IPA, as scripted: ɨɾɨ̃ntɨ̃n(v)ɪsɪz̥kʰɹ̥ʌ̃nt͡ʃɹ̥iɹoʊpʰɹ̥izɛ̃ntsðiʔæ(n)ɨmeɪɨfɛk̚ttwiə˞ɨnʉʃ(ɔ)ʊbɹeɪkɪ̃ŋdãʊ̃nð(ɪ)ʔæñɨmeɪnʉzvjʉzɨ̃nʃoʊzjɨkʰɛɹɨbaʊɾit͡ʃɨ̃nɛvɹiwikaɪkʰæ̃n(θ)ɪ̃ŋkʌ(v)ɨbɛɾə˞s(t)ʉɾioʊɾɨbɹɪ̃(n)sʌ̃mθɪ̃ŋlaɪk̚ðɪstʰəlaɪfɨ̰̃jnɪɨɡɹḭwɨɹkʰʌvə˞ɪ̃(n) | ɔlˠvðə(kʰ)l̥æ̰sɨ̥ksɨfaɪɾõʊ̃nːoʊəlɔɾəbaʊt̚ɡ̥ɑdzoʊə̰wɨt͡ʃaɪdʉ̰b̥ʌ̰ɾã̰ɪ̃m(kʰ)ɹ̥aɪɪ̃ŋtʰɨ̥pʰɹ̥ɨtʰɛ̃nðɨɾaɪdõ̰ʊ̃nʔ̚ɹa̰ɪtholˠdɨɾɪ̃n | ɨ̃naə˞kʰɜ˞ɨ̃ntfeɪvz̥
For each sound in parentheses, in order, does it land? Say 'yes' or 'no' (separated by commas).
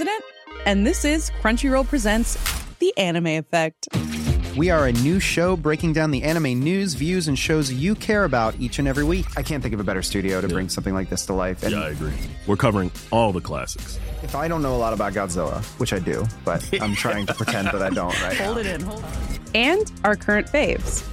no, yes, no, no, yes, yes, yes, no, no, yes, no